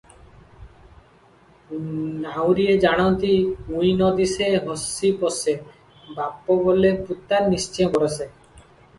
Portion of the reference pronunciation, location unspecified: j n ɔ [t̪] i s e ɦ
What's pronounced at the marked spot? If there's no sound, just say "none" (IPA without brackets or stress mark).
d̪